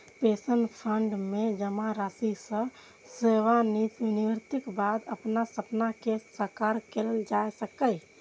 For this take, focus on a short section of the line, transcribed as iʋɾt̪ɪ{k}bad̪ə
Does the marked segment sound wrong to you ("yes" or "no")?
no